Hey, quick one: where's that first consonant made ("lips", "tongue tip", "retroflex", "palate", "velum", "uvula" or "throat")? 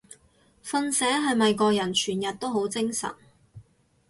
lips